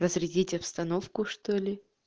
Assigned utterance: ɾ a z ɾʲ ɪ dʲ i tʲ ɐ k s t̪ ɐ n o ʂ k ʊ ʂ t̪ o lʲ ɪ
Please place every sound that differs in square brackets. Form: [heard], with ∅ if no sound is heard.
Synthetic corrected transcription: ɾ [ə] z ɾʲ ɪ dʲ i tʲ ɐ [p] s t̪ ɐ n o [f] k ʊ ʂ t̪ o lʲ ɪ